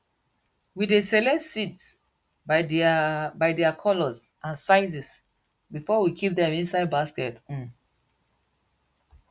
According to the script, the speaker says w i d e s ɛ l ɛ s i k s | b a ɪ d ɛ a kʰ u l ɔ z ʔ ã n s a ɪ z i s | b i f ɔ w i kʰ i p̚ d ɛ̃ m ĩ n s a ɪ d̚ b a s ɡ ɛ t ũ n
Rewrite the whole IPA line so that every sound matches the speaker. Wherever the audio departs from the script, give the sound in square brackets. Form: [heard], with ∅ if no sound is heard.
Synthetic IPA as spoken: w i d e s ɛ l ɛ s i [t] s | b a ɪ d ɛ a kʰ [ɔ] l ɔ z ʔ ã n s a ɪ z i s | b i f ɔ w i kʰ i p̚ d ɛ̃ m ĩ n s a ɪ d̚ b a s [k] ɛ t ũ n